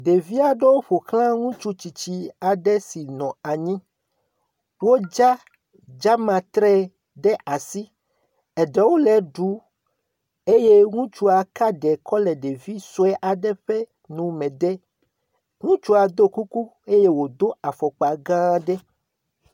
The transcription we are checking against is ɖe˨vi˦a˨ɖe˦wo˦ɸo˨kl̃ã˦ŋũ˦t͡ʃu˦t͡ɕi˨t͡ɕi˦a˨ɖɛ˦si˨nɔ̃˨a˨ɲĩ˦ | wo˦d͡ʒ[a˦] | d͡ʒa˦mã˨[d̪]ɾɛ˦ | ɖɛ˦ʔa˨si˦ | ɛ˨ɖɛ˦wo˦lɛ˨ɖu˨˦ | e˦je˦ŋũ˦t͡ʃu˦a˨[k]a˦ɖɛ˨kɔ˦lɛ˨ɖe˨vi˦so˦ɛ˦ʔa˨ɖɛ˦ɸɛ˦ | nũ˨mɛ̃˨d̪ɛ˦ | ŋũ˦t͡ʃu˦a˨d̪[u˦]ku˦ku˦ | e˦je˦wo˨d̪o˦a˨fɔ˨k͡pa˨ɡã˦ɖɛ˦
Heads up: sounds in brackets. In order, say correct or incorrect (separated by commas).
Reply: correct, incorrect, correct, incorrect